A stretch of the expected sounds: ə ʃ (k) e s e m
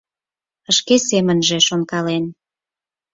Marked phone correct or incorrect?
correct